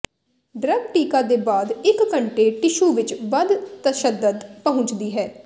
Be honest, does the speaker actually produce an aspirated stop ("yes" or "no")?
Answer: no